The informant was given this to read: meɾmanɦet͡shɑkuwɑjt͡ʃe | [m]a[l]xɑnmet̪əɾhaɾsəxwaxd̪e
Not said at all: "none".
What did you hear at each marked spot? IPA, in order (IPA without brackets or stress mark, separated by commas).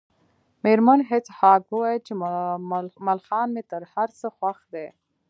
m, l